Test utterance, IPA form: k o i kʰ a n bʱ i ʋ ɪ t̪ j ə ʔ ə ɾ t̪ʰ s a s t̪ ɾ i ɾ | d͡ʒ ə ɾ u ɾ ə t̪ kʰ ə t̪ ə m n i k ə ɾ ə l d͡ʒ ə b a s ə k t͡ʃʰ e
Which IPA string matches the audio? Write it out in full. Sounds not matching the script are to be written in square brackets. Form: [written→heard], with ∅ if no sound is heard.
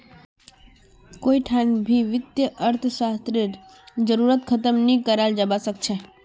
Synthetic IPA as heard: k o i [kʰ→ʈʰ] a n bʱ i ʋ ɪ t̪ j ə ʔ ə ɾ t̪ʰ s a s t̪ ɾ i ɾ | d͡ʒ ə ɾ u ɾ ə t̪ kʰ ə t̪ ə m n i k ə ɾ [ə→a] l d͡ʒ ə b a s ə k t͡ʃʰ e